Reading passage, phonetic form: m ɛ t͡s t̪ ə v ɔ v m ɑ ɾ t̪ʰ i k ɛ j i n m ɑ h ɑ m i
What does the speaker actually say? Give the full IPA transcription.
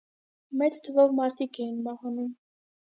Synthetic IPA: m ɛ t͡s t̪ʰ ə v ɔ v m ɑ ɾ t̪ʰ i k ɛ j i n m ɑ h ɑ n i